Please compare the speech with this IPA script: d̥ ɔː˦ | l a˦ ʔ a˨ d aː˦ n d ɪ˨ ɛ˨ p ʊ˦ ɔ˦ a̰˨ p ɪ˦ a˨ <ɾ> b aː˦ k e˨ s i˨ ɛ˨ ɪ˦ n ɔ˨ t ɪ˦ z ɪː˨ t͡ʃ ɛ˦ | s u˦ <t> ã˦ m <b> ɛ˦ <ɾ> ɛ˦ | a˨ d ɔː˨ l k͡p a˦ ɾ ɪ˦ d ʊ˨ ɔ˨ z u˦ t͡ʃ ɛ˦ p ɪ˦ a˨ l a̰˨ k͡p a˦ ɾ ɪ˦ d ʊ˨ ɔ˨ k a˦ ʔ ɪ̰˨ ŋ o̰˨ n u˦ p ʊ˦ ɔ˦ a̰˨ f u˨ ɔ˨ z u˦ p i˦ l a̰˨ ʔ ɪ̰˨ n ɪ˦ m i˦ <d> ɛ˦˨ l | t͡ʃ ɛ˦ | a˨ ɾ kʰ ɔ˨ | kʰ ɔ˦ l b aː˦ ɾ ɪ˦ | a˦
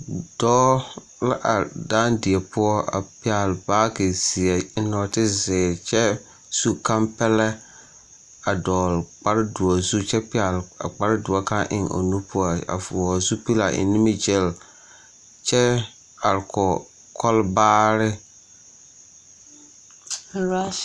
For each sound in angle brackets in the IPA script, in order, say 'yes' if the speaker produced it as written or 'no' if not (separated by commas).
no, no, no, no, no